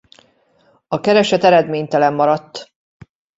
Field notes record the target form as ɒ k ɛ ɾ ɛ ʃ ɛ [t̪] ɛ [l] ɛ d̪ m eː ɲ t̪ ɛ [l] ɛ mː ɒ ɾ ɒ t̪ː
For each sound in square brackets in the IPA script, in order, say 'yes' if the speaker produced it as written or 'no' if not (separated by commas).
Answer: yes, no, yes